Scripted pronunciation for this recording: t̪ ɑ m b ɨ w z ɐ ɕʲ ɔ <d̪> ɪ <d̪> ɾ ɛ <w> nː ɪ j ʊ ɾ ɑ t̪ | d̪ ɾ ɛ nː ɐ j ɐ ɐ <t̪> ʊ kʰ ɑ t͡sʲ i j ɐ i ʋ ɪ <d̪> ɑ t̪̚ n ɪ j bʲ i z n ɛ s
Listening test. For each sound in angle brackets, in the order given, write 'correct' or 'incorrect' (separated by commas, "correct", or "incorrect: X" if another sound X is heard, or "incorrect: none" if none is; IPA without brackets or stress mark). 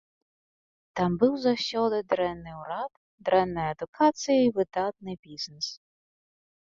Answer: correct, correct, incorrect: none, incorrect: d̪, correct